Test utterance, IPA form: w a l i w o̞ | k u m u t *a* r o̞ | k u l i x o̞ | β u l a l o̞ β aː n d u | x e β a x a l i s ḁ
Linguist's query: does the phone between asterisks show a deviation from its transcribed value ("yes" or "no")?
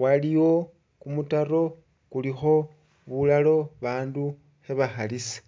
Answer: no